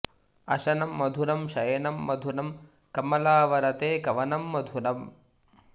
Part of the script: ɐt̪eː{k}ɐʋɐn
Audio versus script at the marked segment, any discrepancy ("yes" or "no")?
no